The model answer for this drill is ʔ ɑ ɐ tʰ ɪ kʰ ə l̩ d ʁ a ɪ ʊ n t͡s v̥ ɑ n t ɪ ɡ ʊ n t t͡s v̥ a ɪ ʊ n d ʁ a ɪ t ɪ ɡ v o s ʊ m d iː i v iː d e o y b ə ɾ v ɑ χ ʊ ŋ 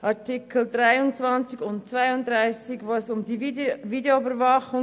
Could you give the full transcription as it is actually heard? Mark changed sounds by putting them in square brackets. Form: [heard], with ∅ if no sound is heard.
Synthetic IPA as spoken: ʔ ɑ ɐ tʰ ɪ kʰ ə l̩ d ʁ a ɪ ʊ n t͡s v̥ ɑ n [t͡s] ɪ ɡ ʊ n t t͡s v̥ a ɪ ʊ n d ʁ a ɪ [s] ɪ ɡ v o s ʊ m d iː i v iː d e o y b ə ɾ v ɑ χ ʊ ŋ